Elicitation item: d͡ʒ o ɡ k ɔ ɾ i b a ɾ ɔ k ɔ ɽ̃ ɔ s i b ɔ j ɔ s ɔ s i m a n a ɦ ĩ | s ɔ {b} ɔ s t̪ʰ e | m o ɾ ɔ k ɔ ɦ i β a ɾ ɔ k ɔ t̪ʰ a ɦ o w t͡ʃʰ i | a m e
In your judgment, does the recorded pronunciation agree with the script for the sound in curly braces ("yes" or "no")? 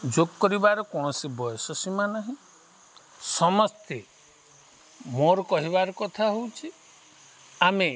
no